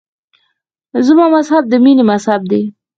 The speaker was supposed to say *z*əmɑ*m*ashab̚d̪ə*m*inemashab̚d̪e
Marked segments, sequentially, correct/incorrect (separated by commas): correct, correct, correct